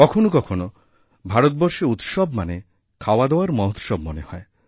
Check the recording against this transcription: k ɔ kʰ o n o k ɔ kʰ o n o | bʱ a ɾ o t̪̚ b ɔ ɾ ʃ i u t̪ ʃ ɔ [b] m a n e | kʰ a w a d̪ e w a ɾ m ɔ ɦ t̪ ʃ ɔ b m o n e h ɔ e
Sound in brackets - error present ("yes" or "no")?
no